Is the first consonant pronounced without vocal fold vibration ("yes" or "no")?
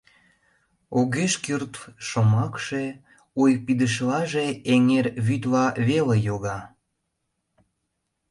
no